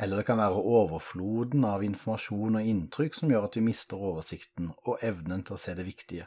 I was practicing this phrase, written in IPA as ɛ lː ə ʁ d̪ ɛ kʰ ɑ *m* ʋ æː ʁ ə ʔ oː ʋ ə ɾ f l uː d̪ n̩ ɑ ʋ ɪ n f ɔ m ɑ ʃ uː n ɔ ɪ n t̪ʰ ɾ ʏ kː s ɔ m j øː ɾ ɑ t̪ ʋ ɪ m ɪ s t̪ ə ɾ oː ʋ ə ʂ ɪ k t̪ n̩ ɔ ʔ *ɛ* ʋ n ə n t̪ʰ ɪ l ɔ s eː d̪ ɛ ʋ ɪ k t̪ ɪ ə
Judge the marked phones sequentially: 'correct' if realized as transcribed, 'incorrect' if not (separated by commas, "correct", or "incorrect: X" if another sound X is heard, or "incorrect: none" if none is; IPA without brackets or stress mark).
incorrect: n, correct